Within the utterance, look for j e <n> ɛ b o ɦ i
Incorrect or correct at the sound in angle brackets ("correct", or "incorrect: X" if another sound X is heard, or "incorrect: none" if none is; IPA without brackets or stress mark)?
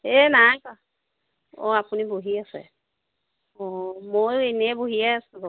correct